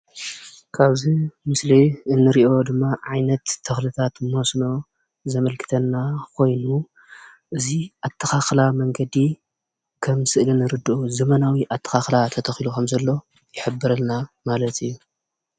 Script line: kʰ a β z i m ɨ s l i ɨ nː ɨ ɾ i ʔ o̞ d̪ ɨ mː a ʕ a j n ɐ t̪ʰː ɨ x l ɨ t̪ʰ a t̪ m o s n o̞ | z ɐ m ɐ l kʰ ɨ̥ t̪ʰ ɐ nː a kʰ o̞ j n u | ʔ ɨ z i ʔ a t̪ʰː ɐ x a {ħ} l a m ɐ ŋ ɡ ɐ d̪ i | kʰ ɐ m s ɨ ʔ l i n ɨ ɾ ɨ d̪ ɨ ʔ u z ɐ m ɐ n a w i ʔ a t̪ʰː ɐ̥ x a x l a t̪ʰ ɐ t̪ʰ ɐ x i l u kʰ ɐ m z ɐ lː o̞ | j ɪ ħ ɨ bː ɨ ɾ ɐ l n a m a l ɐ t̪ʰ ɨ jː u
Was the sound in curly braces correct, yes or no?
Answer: no